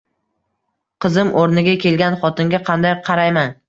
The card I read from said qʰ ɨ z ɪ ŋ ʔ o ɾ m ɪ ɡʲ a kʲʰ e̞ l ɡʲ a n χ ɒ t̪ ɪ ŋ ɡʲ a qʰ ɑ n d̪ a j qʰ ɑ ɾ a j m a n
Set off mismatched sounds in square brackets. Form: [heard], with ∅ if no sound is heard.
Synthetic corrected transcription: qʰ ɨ z ɪ [m] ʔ o ɾ [n] ɪ ɡʲ a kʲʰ e̞ l ɡʲ a n χ ɒ t̪ ɪ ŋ ɡʲ a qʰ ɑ n d̪ a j qʰ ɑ ɾ a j m a n